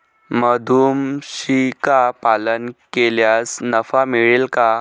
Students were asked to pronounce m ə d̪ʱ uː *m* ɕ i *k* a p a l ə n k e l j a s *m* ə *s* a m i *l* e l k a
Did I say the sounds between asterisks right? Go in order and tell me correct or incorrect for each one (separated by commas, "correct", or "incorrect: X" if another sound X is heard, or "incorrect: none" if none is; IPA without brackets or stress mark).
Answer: correct, correct, incorrect: n, incorrect: f, incorrect: ɭ